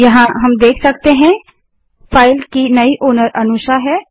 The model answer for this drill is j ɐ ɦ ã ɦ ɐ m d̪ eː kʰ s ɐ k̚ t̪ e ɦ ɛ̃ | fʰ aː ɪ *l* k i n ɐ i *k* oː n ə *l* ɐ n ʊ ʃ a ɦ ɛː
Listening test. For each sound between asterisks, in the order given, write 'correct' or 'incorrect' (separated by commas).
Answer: correct, incorrect, incorrect